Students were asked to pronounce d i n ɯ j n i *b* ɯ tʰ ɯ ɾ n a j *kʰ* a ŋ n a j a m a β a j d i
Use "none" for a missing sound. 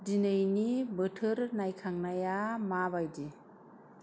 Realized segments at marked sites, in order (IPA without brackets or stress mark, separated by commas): b, kʰ